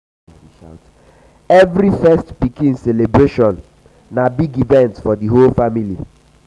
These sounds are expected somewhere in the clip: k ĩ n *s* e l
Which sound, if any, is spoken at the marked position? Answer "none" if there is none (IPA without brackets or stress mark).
s